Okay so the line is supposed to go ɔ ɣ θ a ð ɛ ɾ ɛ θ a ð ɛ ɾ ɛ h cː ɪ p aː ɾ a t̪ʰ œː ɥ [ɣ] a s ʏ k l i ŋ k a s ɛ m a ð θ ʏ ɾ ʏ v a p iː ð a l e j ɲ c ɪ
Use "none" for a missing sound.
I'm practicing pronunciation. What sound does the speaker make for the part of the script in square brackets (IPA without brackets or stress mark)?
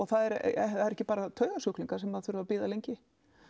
ɣ